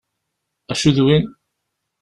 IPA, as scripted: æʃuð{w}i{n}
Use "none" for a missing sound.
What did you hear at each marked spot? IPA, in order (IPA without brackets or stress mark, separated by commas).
w, n